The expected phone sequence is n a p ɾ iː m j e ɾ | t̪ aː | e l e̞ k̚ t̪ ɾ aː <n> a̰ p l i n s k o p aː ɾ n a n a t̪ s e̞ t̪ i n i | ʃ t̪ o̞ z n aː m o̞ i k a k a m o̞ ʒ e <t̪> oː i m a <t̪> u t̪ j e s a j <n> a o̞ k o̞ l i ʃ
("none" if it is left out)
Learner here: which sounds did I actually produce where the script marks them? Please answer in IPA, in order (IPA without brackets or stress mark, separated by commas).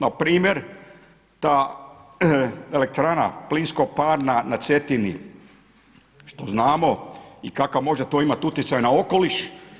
n, t̪, t̪, n